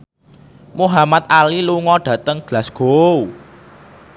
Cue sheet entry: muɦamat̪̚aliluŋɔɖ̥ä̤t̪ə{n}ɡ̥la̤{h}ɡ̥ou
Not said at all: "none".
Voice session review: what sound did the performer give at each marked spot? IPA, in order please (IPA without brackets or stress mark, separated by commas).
ŋ, s